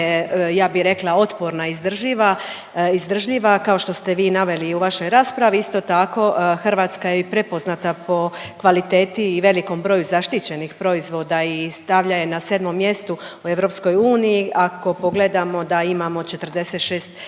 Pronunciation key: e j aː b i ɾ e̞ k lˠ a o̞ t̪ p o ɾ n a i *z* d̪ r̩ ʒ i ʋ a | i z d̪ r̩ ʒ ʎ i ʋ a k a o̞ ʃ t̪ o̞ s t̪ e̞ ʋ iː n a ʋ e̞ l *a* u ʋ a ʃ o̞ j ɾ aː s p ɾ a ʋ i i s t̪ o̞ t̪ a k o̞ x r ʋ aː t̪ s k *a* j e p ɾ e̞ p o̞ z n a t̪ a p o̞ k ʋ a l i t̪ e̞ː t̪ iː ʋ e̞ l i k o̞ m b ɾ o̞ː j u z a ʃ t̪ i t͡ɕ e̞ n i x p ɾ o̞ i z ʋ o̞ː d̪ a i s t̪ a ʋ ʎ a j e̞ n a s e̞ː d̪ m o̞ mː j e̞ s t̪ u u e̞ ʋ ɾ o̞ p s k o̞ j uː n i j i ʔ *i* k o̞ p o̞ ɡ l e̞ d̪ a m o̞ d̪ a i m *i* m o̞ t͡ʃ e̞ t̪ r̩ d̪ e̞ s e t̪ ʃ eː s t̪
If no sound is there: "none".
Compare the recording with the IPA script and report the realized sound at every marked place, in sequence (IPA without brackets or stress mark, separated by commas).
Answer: z, i, a, a, a